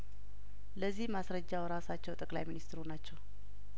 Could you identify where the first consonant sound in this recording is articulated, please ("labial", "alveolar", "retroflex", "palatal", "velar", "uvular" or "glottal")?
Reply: alveolar